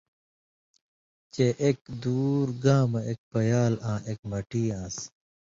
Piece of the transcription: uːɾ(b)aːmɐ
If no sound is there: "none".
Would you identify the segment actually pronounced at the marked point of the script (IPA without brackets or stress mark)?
ɡ